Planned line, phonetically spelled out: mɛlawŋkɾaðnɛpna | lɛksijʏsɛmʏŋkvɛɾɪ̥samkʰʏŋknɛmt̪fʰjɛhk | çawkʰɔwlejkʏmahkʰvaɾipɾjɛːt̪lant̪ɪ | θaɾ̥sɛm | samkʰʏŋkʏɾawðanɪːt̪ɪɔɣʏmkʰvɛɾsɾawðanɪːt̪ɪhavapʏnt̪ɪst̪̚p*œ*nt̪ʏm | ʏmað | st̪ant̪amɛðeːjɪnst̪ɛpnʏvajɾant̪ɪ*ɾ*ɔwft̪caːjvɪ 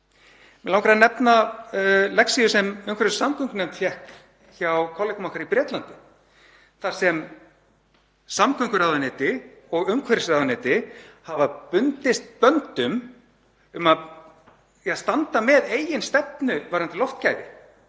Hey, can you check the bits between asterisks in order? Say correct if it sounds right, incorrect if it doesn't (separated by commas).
correct, incorrect